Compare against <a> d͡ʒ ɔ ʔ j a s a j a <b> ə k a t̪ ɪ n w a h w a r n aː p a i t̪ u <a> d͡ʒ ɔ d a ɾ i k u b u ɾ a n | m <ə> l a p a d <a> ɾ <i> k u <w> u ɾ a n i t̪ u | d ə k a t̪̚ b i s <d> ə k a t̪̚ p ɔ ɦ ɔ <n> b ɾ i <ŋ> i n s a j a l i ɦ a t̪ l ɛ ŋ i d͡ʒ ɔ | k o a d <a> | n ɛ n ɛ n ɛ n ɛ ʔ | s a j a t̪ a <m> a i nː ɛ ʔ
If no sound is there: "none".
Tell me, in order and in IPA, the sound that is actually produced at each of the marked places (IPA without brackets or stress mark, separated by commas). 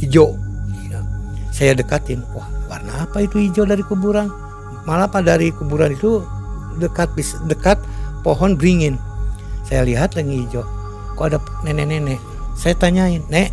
i, d, i, a, a, i, b, d, n, ŋ, a, ɲ